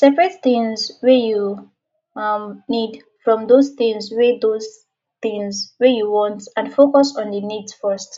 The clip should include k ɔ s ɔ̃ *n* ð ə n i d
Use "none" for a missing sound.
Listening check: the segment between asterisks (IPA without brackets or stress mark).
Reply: n